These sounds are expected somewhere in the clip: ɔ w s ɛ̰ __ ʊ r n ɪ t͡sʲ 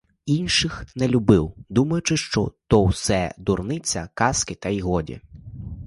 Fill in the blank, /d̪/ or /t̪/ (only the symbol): d̪